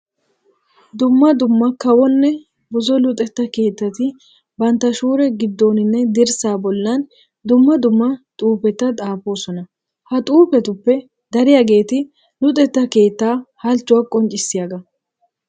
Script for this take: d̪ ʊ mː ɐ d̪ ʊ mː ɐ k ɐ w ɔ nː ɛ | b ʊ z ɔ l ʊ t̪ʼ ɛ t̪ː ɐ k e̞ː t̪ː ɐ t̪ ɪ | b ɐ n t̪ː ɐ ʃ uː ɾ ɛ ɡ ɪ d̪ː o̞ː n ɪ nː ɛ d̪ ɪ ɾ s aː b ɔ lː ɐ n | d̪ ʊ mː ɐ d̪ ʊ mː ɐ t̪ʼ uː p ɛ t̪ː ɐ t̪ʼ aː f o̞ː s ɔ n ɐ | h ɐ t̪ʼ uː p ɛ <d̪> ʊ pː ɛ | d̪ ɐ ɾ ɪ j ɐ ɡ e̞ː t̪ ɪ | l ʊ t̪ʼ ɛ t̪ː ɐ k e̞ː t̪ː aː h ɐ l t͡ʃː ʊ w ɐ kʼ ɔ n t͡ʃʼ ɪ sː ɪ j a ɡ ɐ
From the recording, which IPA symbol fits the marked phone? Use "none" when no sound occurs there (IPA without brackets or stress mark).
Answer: t̪